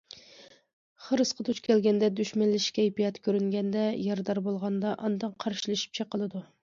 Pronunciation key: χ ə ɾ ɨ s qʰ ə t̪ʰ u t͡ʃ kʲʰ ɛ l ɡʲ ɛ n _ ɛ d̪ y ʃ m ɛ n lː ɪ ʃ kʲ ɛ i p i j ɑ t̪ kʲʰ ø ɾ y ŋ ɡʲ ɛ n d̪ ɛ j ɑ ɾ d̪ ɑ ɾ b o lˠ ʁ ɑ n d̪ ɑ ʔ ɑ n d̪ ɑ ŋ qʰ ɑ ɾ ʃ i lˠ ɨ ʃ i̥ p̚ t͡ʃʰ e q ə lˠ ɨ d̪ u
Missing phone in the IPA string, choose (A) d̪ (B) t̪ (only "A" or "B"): A